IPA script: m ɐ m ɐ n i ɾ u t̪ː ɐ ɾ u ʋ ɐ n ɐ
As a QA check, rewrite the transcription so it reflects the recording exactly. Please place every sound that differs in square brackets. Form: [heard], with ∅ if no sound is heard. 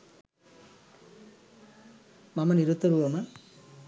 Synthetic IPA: m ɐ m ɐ n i ɾ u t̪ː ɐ ɾ u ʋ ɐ [m] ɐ